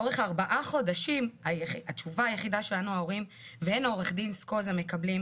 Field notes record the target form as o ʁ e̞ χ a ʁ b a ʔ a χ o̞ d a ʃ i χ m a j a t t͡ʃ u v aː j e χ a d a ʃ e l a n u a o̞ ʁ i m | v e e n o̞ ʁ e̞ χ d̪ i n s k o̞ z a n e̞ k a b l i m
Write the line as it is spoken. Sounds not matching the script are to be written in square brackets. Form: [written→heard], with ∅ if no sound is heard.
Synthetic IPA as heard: o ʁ e̞ χ a ʁ b a ʔ a χ o̞ d a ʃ i [χ→∅] m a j a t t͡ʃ u v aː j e χ [a→i] d a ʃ e l a n u a o̞ ʁ i m | v e e n o̞ ʁ e̞ χ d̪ i n s k o̞ z a [n→m] e̞ k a b l i m

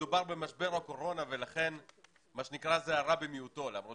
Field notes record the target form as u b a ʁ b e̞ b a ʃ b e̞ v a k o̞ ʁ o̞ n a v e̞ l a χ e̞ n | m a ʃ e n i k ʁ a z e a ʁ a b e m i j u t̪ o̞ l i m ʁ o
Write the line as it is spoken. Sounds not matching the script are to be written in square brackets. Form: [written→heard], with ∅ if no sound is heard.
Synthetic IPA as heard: u b a ʁ b e̞ [b→m] a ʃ b e̞ [v→ʁ] a k o̞ ʁ o̞ n a v e̞ l a χ e̞ n | m a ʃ e n i k ʁ a z e a ʁ a b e m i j u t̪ o̞ l [i→a] m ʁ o

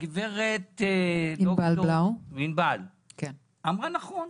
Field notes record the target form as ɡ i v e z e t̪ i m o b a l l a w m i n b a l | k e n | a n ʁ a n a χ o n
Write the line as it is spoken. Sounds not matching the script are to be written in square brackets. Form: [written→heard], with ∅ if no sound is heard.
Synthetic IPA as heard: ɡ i v e [z→ʁ] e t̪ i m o b a l l a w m i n b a l | k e n | a [n→m] ʁ a n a χ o n

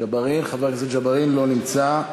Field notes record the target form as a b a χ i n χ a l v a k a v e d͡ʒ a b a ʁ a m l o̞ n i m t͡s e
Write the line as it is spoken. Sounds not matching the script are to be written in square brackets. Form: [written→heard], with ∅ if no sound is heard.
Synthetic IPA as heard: a b a [χ→ʁ] i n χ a [l→∅] v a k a [v→z] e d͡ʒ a b a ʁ [a→i] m l o̞ n i m t͡s [e→a]

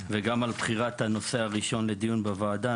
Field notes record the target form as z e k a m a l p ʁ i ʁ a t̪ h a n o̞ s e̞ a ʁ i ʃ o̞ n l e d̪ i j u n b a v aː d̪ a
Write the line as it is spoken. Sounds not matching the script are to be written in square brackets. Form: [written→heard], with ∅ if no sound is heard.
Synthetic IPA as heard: [z→v] e [k→ɡ] a m a l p [ʁ→χ] i ʁ a t̪ h a n o̞ s e̞ a ʁ i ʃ o̞ n l e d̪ i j u n b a v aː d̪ a

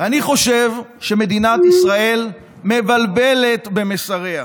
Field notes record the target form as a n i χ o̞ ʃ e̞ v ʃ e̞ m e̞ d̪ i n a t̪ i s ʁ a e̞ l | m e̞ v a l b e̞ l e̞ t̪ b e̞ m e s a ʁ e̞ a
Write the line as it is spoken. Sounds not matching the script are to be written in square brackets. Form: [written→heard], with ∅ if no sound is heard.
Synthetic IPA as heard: a n i χ o̞ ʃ e̞ v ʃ e̞ m e̞ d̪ i n a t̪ i s ʁ a e̞ l | m e̞ v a l b e̞ l e̞ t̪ b e̞ m e s a ʁ e̞ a

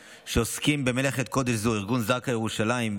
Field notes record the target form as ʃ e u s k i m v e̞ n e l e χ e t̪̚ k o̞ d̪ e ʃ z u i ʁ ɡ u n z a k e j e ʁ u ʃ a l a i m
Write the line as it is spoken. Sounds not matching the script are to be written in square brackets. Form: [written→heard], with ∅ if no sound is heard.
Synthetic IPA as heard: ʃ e [u→o] s k i m [v→b] e̞ [n→m] e l e χ e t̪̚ k o̞ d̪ e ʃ z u i ʁ ɡ u n z a k [e→a] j e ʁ u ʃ a l a i m

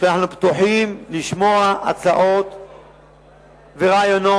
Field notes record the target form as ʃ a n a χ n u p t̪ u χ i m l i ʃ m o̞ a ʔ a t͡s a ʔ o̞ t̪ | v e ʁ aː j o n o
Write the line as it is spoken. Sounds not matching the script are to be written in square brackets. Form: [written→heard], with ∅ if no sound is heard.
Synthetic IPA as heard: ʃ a n a [χ→ħ] n u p t̪ u [χ→ħ] i m l i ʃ m o̞ a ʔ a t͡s a ʔ o̞ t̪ | v e ʁ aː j o n o

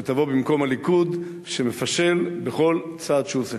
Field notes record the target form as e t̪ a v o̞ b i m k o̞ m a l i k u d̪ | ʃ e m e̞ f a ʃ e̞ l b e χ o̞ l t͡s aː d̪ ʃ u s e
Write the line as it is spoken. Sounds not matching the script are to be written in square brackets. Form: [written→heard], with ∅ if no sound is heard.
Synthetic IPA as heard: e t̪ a v o̞ b i m k o̞ m a l i k u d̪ | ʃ e m e̞ f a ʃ e̞ l b e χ o̞ l t͡s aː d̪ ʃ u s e

